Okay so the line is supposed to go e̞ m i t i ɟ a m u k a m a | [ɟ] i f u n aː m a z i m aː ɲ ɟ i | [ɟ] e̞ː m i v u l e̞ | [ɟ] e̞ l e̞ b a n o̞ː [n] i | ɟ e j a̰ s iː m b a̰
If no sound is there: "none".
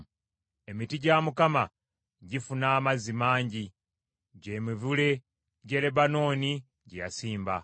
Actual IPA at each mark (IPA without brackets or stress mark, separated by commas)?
ɟ, ɟ, ɟ, n